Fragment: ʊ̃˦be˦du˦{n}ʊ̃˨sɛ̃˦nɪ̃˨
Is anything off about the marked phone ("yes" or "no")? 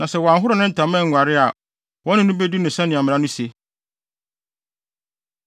no